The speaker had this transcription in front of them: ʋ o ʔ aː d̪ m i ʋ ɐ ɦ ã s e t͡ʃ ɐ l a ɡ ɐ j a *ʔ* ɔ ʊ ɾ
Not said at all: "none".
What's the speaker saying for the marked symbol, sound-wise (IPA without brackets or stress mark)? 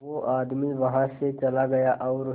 ʔ